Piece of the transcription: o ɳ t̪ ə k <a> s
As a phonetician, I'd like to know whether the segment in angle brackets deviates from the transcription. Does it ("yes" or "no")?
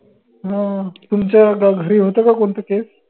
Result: yes